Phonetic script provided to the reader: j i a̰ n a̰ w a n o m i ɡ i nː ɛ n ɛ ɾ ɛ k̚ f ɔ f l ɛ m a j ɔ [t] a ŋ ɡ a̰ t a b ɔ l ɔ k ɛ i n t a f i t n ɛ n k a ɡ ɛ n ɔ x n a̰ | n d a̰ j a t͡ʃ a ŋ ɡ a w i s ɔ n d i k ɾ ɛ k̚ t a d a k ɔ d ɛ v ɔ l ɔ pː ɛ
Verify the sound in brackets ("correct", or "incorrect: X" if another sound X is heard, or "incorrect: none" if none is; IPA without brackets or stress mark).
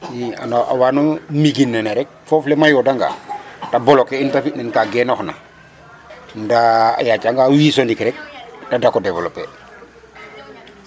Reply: incorrect: d